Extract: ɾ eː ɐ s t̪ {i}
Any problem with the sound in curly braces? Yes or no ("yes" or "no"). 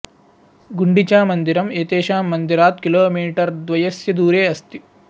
no